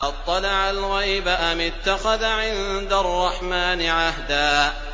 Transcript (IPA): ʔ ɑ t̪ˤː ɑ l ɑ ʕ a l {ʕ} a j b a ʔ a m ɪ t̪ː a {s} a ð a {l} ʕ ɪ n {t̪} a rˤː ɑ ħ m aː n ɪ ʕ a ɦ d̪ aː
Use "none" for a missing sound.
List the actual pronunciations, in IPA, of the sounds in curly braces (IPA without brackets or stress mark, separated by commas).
ɣ, x, none, d̪